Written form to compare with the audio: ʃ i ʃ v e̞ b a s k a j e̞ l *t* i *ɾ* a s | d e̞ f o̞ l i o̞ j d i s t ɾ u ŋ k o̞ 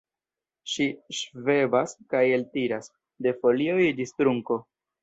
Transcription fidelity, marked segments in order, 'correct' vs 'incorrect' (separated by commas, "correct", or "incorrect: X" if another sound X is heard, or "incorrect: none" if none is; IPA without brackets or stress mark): correct, correct